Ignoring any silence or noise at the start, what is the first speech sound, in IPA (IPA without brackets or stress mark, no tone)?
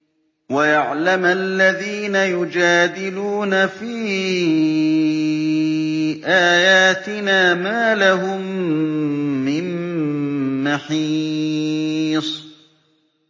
w